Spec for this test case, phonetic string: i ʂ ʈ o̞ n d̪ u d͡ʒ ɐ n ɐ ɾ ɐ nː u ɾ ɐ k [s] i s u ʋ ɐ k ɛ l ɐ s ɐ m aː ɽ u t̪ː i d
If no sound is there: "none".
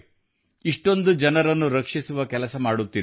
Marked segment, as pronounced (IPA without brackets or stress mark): ʂ